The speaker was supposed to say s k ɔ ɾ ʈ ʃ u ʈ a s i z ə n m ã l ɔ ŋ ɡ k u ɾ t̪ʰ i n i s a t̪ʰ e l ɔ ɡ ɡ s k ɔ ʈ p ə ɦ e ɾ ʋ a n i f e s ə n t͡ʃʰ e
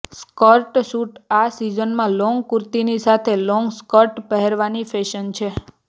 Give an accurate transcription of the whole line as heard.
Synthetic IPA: s k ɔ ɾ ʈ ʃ u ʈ a s i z ə n m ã l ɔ ŋ ɡ k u ɾ t̪ i n i s a t̪ʰ e l ɔ ŋ ɡ s k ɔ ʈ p ə ɦ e ɾ ʋ a n i f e ʃ ə n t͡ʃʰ e